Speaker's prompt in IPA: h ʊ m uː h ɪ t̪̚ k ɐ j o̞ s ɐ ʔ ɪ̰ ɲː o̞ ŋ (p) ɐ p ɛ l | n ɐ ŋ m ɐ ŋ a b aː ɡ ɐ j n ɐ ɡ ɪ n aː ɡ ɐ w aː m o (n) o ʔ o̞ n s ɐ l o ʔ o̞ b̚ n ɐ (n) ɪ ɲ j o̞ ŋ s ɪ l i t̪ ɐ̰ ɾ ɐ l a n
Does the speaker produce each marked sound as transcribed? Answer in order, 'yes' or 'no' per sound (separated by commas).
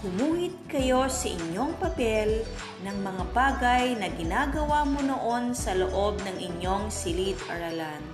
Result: yes, yes, no